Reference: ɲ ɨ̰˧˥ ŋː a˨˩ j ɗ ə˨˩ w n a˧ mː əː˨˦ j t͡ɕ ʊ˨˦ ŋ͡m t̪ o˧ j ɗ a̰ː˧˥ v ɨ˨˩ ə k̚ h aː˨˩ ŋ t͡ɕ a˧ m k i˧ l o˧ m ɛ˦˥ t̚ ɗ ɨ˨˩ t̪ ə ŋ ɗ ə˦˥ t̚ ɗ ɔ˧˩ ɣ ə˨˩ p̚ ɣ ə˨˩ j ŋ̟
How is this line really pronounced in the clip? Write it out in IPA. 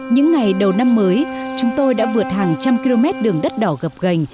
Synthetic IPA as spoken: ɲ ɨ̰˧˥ ŋː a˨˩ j ɗ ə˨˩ w n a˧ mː əː˨˦ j t͡ɕ ʊ˨˦ ŋ͡m t̪ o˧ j ɗ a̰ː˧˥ v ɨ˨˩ ə t̚ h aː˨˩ ŋ t͡ɕ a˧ m k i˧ l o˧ m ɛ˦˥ t̚ ɗ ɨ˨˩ ə ŋ ɗ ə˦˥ t̚ ɗ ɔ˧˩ ɣ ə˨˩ p̚ ɣ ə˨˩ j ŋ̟